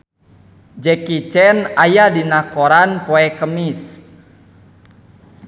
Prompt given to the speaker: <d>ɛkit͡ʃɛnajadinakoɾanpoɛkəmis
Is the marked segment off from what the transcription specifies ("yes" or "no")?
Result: yes